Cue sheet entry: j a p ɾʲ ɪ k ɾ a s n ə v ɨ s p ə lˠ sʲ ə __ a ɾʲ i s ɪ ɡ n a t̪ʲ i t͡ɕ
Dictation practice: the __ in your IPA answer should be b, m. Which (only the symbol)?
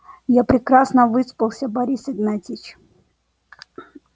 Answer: b